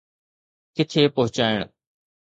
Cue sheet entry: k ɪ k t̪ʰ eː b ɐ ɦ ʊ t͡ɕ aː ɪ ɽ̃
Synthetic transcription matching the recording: k ɪ t̪ʰ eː p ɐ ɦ ʊ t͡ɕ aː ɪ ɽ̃